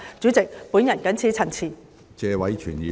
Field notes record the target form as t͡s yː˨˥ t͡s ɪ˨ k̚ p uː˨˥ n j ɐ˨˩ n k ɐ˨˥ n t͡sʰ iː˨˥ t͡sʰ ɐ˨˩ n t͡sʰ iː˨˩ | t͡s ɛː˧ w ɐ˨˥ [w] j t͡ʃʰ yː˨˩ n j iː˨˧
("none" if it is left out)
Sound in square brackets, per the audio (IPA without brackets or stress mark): none